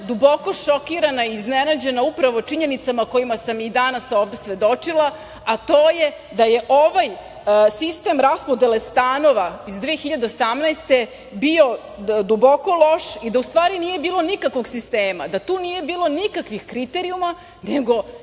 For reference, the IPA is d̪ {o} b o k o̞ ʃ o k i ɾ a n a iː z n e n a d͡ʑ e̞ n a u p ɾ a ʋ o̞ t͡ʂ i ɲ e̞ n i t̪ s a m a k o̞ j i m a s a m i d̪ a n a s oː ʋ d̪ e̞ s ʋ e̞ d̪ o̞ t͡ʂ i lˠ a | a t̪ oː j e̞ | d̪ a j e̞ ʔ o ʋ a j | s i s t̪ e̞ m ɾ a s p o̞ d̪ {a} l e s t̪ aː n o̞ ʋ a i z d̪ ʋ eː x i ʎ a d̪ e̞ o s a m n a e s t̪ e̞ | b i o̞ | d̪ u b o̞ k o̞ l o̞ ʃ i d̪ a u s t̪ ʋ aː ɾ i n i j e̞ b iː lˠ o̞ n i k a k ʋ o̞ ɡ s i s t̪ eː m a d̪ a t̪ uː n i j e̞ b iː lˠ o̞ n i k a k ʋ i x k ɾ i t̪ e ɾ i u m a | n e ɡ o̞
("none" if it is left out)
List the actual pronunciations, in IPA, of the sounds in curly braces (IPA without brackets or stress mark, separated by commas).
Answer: u, e